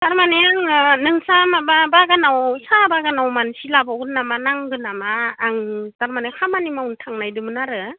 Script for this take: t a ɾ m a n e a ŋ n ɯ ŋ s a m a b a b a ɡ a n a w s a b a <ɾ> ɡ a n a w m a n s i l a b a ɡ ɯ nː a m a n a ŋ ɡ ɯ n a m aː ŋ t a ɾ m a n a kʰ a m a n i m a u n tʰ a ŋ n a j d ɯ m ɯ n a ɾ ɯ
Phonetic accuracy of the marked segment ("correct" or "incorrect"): incorrect